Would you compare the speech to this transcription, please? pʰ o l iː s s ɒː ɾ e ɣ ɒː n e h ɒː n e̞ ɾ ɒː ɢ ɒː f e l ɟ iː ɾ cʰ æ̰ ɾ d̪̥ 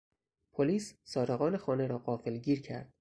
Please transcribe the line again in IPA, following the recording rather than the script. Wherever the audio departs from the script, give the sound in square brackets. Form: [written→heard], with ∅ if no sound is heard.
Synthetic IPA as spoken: pʰ o l iː s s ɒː ɾ e ɣ ɒː n e [h→x] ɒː n e̞ ɾ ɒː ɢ ɒː f e l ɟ iː ɾ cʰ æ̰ ɾ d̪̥